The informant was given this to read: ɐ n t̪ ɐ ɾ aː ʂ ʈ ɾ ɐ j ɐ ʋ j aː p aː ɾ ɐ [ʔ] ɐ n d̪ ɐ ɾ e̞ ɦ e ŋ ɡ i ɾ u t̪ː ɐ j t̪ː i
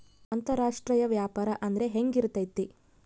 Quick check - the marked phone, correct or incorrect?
correct